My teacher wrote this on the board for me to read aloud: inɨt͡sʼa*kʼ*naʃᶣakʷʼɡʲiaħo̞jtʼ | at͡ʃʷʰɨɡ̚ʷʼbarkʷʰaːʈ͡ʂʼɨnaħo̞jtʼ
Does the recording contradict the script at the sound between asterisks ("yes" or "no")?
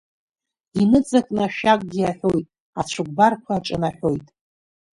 no